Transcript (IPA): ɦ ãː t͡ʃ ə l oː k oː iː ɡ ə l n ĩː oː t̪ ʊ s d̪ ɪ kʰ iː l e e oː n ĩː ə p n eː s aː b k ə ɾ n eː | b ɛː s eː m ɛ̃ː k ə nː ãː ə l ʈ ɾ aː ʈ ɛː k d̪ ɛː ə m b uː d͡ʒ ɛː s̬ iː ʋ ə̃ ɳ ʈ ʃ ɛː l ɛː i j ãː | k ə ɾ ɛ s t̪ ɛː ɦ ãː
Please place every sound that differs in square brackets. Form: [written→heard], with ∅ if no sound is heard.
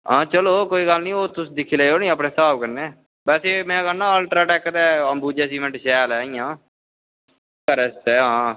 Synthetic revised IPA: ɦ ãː t͡ʃ ə l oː k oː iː ɡ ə l n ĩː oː t̪ ʊ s d̪ ɪ kʰ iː l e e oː n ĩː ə p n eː s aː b k ə ɾ n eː | b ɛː s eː m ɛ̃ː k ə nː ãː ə l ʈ ɾ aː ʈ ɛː k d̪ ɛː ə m b uː d͡ʒ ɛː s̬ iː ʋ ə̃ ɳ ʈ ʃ ɛː l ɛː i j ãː | k ə ɾ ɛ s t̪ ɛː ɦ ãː